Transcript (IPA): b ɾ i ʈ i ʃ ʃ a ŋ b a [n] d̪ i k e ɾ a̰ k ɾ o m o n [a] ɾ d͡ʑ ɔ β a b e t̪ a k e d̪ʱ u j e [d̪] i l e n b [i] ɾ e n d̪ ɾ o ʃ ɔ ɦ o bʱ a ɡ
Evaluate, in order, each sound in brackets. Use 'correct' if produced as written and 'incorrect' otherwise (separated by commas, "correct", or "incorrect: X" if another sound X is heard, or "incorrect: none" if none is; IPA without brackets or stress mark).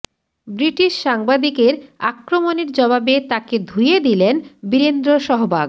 incorrect: none, incorrect: e, correct, correct